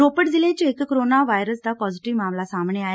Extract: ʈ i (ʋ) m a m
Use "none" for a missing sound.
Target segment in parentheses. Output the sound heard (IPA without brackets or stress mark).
ʋ